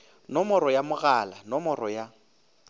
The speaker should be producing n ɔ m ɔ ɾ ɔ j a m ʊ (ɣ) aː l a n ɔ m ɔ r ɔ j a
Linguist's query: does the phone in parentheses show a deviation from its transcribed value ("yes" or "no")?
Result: no